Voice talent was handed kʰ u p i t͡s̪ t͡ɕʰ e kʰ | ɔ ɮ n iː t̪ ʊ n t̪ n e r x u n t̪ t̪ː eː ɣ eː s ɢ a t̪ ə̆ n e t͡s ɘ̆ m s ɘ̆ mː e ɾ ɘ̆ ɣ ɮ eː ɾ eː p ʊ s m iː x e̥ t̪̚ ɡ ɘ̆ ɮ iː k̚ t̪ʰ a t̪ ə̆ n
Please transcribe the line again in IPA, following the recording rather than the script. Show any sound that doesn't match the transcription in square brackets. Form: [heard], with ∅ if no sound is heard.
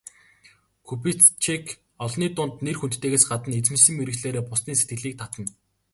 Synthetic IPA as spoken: kʰ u p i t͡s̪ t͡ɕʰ e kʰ | ɔ ɮ n iː t̪ ʊ n t̪ n e r x u n t̪ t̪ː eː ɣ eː s ɢ a t̪ ə̆ n e t͡s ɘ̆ m s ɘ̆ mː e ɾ ɘ̆ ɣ ɮ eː ɾ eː p ʊ s [n] iː [s] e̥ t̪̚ ɡ ɘ̆ ɮ iː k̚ t̪ʰ a t̪ ə̆ n

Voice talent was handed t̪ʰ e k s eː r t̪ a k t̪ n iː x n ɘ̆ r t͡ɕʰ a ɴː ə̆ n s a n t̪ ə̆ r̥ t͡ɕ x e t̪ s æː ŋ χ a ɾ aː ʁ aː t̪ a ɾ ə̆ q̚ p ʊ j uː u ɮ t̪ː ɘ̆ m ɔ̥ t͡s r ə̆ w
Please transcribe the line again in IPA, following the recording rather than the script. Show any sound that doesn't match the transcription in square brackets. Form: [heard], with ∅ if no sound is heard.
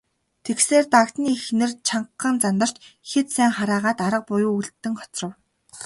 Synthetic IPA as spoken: t̪ʰ e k s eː r t̪ a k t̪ n iː x n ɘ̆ r t͡ɕʰ a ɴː ə̆ n [t͡s] a n t̪ ə̆ r̥ t͡ɕ x e t̪ s æː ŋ χ a ɾ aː ʁ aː t̪ a ɾ ə̆ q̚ p ʊ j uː u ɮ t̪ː ɘ̆ [ŋ] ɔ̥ t͡s r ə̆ w

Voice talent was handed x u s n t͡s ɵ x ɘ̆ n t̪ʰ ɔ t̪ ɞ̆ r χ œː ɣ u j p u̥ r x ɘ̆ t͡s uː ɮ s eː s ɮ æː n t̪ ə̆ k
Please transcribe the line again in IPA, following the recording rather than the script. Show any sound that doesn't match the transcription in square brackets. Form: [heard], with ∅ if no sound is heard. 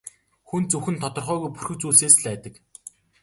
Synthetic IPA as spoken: x u [∅] n t͡s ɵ x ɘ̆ n t̪ʰ ɔ t̪ ɞ̆ r χ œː ɣ u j p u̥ r x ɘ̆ t͡s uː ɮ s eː s ɮ æː [∅] t̪ ə̆ k

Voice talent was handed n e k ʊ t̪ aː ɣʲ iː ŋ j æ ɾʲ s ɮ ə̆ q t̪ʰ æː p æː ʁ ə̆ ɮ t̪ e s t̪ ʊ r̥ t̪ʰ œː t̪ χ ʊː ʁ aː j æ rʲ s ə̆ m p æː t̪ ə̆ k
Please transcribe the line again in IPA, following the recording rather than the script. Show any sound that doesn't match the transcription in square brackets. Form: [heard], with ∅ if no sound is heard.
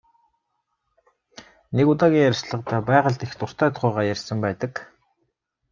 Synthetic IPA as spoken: n e k ʊ t̪ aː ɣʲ iː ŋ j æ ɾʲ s ɮ ə̆ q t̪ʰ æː p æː ʁ ə̆ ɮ t̪ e [x] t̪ ʊ r̥ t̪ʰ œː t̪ χ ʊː ʁ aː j æ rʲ s ə̆ m p æː t̪ ə̆ k

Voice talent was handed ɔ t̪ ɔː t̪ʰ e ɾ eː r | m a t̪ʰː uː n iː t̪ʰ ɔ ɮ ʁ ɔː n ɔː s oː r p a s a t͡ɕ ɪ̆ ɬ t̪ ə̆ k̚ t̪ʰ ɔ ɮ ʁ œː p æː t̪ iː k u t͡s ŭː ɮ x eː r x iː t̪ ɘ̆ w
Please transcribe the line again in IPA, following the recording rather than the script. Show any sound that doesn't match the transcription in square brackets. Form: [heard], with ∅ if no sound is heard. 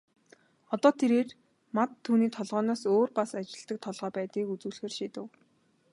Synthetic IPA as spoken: ɔ t̪ ɔː t̪ʰ e ɾ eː r | m a t̪ʰː uː n iː t̪ʰ ɔ ɮ ʁ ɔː n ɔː s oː r p a s a t͡ɕ ɪ̆ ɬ t̪ ə̆ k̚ t̪ʰ ɔ ɮ ʁ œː p æː t̪ iː k u t͡s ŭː ɮ x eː r [ʃ] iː t̪ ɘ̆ w

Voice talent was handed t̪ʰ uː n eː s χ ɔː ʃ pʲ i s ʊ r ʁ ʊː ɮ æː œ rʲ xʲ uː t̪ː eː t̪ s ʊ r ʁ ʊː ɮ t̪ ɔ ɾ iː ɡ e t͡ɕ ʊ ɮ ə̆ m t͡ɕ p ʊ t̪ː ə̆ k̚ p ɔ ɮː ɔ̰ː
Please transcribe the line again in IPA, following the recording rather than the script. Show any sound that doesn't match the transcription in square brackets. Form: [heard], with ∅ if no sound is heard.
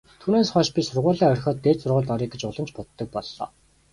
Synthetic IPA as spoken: t̪ʰ uː n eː s χ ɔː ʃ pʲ i s ʊ r ʁ ʊː ɮ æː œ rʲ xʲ [ɔː] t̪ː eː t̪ s ʊ r ʁ ʊː ɮ t̪ ɔ ɾ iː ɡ e t͡ɕ ʊ ɮ ə̆ m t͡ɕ p ʊ t̪ː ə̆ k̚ p ɔ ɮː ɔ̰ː

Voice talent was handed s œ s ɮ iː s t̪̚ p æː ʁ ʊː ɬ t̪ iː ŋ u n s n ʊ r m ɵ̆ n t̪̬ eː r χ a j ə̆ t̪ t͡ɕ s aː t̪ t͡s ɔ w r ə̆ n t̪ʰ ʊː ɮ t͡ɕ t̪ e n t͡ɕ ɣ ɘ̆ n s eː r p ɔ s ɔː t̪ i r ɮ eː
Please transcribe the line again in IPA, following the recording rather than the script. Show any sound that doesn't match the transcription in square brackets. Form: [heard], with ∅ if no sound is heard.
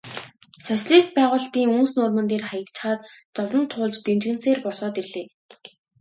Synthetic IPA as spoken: s œ s ɮ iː s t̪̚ p æː ʁ ʊː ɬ t̪ iː ŋ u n s n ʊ r m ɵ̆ n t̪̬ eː r χ a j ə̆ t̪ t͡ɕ [χ] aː t̪ t͡s ɔ w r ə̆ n t̪ʰ ʊː ɮ t͡ɕ t̪ e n t͡ɕ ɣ ɘ̆ n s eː r p ɔ s ɔː t̪ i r ɮ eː

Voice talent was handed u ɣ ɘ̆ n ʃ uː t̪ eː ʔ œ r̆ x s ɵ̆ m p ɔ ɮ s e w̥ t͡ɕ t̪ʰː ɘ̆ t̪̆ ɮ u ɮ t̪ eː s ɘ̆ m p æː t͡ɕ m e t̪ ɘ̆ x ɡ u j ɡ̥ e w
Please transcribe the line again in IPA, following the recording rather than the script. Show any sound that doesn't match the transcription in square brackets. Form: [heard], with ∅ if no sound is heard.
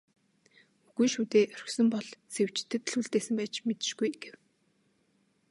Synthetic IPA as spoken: u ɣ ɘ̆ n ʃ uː t̪ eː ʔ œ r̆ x s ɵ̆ m p ɔ ɮ s e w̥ t͡ɕ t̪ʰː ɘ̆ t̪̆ ɮ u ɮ t̪ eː s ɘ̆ m p æː t͡ɕ m e t̪ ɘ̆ [ʃ] ɡ u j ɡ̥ e w

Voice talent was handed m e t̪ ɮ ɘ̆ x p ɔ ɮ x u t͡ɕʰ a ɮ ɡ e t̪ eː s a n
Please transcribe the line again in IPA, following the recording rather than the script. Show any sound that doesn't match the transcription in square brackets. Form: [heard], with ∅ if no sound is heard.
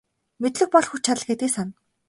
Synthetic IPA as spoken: m e t̪ ɮ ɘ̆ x p ɔ ɮ x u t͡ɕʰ a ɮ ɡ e t̪ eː s a n

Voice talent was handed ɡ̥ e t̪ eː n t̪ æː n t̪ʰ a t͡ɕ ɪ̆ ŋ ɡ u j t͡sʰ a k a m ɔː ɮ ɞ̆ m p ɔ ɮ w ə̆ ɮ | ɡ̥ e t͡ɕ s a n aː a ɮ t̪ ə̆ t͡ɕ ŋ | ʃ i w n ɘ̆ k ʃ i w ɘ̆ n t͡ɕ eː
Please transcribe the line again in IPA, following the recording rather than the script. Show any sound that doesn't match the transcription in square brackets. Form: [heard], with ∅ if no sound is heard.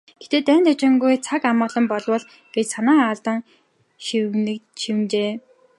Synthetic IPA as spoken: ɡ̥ e t̪ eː [∅] t̪ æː n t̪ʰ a t͡ɕ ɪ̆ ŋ ɡ u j t͡sʰ a k a m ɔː ɮ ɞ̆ m p ɔ ɮ w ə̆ ɮ | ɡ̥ e t͡ɕ s a n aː a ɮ t̪ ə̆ [∅] ŋ | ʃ i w n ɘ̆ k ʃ i w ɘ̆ n t͡ɕ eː

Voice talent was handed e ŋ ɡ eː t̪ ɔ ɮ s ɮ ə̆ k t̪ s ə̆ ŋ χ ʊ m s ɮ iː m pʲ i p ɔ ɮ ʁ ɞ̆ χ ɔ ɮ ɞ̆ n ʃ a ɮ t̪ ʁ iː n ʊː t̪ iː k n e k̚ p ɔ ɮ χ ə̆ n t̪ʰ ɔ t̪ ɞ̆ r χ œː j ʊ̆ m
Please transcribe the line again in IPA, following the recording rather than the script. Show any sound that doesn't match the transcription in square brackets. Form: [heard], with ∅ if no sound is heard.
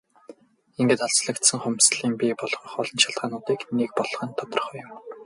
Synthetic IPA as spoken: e ŋ ɡ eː t̪ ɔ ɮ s ɮ ə̆ k t̪ s ə̆ ŋ χ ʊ m s ɮ iː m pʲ i p ɔ ɮ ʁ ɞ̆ χ ɔ ɮ ɞ̆ n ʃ a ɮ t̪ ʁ [aː] n ʊː t̪ iː k n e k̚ p ɔ ɮ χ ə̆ n t̪ʰ ɔ t̪ ɞ̆ r χ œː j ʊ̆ m

